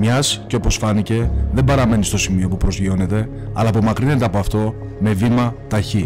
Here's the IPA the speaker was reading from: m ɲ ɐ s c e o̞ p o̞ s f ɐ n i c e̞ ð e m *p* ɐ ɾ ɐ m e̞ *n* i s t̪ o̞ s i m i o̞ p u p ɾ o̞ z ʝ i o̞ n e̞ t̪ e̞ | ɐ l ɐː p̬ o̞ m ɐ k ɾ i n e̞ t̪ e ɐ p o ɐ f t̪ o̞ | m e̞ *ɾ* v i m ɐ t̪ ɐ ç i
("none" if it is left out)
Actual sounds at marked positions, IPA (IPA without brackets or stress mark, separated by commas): b, n, none